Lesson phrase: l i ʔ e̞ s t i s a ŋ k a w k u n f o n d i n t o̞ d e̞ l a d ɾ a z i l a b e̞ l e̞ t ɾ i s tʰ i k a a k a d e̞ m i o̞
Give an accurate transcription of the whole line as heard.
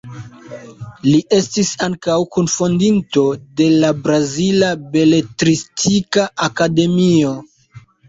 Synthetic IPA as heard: l i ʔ e̞ s t i s a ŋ k a w k u n f o n d i n t o̞ d e̞ l a b ɾ a z i l a b e̞ l e̞ t ɾ i s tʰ i k a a k a d e̞ m i o̞